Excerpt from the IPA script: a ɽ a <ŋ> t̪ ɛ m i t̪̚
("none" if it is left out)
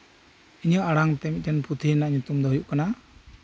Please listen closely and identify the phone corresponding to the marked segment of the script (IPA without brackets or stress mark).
ŋ